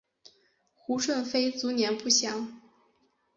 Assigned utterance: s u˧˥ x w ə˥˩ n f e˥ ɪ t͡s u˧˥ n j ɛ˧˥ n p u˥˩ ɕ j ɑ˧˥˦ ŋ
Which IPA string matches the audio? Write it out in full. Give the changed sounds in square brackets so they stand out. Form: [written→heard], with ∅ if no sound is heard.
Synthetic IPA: [s→x] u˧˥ [x→ʂ] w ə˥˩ n f e˥ ɪ t͡s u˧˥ n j ɛ˧˥ n p u˥˩ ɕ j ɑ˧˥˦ ŋ